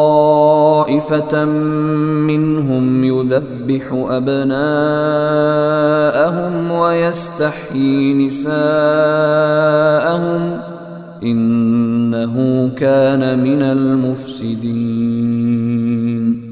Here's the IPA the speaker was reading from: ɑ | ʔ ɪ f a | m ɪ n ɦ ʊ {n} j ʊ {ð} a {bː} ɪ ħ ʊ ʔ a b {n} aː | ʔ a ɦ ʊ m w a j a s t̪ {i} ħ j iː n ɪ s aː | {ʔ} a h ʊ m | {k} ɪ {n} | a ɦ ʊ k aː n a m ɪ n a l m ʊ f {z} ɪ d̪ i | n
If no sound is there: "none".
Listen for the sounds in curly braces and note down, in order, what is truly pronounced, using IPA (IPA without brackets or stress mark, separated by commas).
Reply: m, ð, bː, n, a, ʔ, ʔ, nː, s